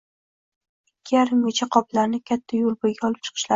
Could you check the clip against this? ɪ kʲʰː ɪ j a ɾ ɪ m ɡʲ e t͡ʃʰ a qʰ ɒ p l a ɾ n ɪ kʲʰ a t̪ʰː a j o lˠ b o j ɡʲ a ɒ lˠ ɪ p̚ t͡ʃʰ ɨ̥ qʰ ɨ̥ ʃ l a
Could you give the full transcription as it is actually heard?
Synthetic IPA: ɪ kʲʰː ɪ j a ɾ ɪ m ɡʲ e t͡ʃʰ a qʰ ɒ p l a ɾ n ɪ kʲʰ a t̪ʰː a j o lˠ b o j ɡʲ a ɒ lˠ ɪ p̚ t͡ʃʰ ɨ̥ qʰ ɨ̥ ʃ l a

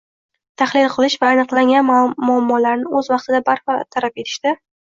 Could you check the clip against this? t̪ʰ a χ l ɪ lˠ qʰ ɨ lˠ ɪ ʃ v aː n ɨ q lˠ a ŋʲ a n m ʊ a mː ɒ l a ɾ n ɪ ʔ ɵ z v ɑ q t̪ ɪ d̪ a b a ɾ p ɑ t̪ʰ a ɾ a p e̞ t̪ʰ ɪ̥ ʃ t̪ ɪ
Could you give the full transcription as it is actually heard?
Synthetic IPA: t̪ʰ a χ l ɪ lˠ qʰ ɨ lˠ ɪ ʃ v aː n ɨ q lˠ a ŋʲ a n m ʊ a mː ɒ l a ɾ n ɪ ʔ ɵ z v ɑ q t̪ ɪ d̪ a b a ɾ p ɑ t̪ʰ a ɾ a p e̞ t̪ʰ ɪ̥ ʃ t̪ ɪ

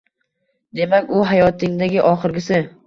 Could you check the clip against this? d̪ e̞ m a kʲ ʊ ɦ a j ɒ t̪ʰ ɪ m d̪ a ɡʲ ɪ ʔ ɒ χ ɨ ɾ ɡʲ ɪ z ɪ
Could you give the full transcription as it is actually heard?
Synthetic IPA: d̪ e̞ m a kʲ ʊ ɦ a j ɒ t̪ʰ ɪ ŋ d̪ a ɡʲ ɪ ʔ ɒ χ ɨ ɾ ɡʲ ɪ s ɪ

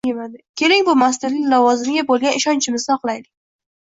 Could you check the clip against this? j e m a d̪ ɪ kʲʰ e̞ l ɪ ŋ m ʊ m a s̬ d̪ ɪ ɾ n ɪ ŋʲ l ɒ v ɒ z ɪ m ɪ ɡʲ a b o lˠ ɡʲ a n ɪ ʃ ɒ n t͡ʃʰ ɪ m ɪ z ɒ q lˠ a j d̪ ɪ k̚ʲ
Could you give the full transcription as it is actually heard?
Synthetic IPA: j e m a d̪ ɪ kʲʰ e̞ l ɪ ŋ b ʊ m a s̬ t̪ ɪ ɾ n ɪ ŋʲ l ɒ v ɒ z ɪ m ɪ ɡʲ a b o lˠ ɡʲ a n ɪ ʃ ɒ n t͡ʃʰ ɪ m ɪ z ɒ q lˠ a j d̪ ɪ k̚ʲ

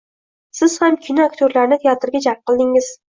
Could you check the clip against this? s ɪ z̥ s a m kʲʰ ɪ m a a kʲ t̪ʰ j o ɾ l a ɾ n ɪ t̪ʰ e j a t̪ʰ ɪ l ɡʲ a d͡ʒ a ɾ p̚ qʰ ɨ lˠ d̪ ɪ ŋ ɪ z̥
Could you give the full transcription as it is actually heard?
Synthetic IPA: s ɪ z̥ h a m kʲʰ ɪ n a a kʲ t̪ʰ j o ɾ l a ɾ n ɪ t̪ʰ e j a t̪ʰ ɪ ɾ ɡʲ a d͡ʒ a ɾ p̚ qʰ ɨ lˠ d̪ ɪ ŋ ɪ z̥

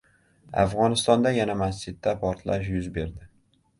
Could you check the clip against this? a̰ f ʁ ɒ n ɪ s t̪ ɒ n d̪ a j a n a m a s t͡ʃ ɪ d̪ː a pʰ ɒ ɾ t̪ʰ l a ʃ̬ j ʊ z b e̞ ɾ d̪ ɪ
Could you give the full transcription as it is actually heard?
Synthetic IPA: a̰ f ʁ ɒ n ɪ s t̪ ɒ n d̪ a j a n a m a s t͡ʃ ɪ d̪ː a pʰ ɒ ɾ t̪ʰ l a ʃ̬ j ʊ z b e̞ ɾ d̪ ɪ

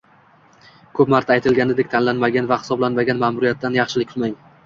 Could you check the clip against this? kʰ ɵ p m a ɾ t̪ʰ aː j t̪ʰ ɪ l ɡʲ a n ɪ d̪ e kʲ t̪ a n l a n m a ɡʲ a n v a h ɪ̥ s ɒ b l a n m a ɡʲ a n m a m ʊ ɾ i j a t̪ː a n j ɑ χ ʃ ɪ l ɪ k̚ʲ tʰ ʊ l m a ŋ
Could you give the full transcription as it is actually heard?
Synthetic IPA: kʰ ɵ p m a ɾ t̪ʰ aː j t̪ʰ ɪ l ɡʲ a n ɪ d̪ e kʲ t̪ʰ a n l a n m a ɡʲ a n v a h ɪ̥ s ɒ b l a n m a ɡʲ a n m a m ʊ ɾ i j a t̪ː a n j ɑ χ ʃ ɪ l ɪ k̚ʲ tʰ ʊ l m a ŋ

